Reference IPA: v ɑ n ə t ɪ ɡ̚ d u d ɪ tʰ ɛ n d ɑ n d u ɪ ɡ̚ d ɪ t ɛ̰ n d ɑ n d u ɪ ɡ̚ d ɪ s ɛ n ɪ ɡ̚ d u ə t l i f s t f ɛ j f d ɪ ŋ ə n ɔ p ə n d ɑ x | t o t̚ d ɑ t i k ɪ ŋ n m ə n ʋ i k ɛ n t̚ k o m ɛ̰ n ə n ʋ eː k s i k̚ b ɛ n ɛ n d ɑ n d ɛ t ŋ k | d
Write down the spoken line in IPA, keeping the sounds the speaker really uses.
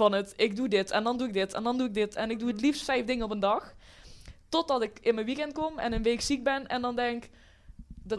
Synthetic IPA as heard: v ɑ n ə t ɪ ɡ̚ d u d ɪ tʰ ɛ n d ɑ n d u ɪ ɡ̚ d ɪ t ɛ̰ n d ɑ n d u ɪ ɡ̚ d ɪ t ɛ n ɪ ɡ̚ d u ə t l i f s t f ɛ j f d ɪ ŋ ə n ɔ p ə n d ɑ x | t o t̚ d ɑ t ɪ k ɪ n m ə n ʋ i k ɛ n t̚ k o m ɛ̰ n ə n ʋ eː k s i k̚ b ɛ n ɛ n d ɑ n d ɛ ŋ k | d